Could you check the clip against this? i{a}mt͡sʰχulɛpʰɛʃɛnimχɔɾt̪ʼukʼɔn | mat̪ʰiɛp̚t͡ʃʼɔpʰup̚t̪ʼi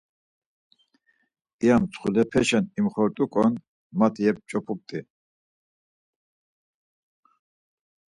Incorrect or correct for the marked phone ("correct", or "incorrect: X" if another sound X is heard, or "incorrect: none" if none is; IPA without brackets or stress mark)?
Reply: correct